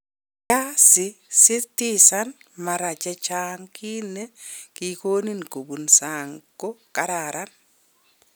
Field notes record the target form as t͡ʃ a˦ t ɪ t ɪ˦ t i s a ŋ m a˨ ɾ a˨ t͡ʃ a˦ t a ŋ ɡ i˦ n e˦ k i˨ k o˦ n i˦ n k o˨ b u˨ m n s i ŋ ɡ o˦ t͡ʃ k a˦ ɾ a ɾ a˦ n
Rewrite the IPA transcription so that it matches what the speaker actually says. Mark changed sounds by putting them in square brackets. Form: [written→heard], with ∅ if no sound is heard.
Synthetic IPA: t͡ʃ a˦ [t→s] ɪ [t→s] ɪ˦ t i s a [ŋ→n] m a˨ ɾ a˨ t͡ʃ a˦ [t→t͡ʃ] a ŋ [ɡ→k] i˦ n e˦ k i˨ k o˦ n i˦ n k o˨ b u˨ [m→∅] n s [i→a] ŋ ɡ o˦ [t͡ʃ→∅] k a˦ ɾ a ɾ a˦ n